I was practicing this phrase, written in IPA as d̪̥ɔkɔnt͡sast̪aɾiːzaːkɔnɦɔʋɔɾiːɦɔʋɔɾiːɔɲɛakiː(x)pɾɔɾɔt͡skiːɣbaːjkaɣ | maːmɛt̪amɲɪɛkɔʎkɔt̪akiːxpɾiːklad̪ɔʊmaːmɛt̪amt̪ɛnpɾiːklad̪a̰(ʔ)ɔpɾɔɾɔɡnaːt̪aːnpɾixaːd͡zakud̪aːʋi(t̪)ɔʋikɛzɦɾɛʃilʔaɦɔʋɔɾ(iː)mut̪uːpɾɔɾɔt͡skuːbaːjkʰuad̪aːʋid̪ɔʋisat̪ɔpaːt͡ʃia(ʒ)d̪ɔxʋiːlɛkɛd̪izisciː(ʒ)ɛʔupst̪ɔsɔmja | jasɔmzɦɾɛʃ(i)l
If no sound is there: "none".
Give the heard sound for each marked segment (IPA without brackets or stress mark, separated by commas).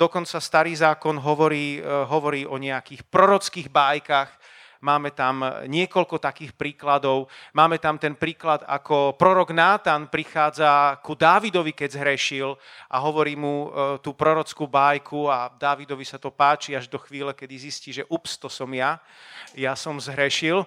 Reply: x, k, d̪, iː, ʒ, ʒ, i